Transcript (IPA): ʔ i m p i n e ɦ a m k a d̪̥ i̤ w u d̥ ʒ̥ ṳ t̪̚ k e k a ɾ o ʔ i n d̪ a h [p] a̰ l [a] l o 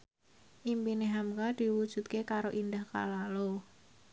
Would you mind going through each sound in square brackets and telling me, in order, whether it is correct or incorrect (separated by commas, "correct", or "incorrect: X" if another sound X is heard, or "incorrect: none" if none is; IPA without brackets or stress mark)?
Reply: incorrect: k, correct